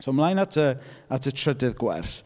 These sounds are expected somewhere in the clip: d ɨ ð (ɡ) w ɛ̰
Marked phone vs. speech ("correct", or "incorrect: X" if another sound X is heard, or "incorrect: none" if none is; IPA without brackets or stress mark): correct